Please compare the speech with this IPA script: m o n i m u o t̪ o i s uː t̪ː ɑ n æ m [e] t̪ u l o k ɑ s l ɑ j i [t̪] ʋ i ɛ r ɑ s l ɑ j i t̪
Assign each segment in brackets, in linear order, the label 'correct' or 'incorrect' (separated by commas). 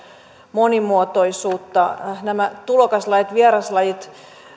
incorrect, correct